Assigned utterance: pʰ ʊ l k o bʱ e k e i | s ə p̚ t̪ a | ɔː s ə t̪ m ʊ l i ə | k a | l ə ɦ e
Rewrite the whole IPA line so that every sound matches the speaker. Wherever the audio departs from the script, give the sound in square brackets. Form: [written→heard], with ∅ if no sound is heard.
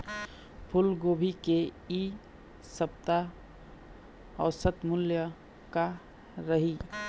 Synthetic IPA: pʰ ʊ l [k→ɡ] o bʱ [e→i] k e i | s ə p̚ t̪ a | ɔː s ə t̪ m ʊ l [i→j] ə | k a | [l→ɾ] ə ɦ [e→i]